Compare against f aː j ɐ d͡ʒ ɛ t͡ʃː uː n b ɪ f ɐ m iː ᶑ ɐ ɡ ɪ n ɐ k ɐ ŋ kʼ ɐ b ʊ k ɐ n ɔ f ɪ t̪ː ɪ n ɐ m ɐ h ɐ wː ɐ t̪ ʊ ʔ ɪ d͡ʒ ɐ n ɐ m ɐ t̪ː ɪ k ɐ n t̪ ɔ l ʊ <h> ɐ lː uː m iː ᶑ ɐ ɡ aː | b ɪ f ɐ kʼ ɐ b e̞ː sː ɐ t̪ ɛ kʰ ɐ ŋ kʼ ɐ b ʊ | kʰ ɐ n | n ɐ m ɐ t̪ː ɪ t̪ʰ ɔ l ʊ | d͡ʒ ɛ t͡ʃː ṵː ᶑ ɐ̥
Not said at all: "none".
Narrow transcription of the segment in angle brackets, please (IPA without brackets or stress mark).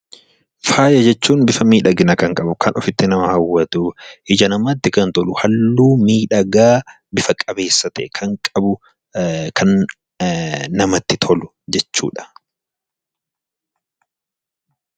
h